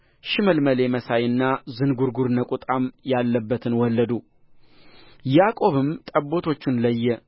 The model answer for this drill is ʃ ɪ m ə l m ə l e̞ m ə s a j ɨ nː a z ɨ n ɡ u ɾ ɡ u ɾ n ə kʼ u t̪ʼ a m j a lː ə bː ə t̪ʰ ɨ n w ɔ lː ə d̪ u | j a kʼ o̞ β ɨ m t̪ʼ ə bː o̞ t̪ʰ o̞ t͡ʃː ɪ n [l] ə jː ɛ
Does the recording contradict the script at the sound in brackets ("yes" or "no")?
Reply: no